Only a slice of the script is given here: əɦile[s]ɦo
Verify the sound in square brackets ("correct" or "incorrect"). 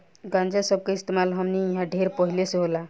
correct